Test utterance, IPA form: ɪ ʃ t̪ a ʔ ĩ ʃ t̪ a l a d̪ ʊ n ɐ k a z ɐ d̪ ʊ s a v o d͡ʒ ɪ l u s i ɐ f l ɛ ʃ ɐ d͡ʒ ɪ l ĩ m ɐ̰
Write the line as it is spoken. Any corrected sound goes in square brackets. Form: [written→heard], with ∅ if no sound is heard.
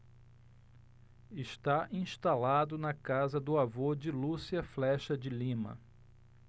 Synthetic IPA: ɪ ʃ t̪ a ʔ ĩ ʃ t̪ a l a d̪ ʊ n ɐ k a z ɐ d̪ ʊ [s→∅] a v o d͡ʒ ɪ l u s i ɐ f l ɛ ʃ ɐ d͡ʒ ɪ l ĩ m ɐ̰